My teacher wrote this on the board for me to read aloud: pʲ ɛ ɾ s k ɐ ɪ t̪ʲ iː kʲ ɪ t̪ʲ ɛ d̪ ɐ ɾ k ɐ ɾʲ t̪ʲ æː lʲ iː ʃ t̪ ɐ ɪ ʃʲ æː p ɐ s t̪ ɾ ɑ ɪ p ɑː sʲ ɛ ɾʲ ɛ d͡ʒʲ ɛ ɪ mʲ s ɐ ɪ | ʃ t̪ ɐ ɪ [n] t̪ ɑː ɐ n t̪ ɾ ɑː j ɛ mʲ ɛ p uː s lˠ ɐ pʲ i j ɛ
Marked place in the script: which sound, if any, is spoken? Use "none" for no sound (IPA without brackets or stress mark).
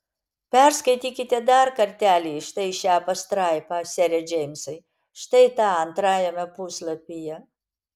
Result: none